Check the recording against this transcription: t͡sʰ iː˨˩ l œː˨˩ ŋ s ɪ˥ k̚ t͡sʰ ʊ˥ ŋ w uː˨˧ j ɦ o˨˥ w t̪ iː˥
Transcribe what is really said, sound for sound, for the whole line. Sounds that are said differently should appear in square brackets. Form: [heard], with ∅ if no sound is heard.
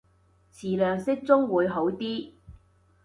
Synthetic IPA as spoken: t͡sʰ iː˨˩ l œː˨˩ ŋ s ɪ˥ k̚ [t͡s] ʊ˥ ŋ w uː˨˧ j ɦ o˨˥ w t̪ iː˥